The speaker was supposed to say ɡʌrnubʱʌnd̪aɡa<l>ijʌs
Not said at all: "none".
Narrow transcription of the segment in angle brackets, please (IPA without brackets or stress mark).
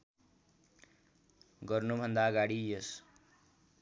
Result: ɽ